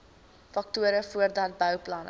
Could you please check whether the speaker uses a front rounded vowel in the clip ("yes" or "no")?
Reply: yes